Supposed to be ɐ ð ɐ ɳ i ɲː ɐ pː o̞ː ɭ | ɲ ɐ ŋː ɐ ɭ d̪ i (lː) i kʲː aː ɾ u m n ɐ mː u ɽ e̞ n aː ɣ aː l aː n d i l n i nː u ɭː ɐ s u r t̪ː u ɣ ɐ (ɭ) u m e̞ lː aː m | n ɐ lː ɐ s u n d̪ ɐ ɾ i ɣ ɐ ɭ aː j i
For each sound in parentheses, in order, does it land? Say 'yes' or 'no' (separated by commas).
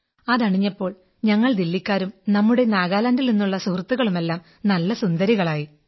yes, yes